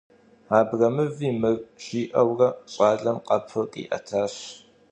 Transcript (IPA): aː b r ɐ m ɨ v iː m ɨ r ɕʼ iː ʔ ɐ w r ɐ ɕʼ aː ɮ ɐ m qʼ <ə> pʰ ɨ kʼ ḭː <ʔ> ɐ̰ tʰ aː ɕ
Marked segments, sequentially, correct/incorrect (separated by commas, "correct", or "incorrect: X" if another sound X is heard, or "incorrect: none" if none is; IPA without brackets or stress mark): incorrect: ɐ, correct